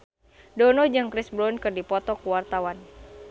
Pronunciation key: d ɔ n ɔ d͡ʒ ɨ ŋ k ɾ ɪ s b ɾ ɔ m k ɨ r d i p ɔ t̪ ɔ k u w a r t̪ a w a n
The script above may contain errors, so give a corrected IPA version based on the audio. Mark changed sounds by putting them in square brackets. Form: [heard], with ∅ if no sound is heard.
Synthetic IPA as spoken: d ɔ n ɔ d͡ʒ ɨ ŋ k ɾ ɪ s b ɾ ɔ [n] k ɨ r d i p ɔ t̪ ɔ k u w a r t̪ a w a n